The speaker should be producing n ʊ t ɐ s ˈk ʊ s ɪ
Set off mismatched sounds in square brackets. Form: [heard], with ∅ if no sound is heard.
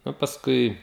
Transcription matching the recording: n ʊ [p] ɐ s ˈk ʊ [∅] ɪ